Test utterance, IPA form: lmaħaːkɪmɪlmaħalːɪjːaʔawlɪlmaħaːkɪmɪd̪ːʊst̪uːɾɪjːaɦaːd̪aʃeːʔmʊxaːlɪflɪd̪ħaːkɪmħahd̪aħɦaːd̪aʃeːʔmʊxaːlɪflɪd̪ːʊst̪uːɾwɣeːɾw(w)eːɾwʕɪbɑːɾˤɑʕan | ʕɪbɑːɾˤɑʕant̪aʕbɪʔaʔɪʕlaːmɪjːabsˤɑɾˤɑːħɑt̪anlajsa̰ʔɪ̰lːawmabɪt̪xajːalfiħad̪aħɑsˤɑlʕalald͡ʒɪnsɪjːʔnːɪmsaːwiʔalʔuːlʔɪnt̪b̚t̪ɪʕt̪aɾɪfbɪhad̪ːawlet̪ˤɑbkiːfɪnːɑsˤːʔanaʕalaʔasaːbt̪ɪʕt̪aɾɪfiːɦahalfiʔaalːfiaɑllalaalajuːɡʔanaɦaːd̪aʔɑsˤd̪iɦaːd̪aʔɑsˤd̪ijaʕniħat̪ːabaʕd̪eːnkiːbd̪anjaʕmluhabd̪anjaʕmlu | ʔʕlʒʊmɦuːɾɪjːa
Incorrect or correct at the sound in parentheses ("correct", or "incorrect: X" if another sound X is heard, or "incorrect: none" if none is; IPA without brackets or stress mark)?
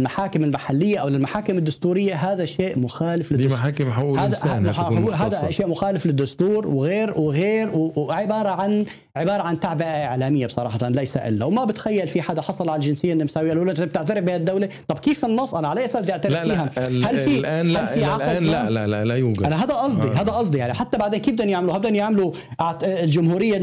incorrect: ɣ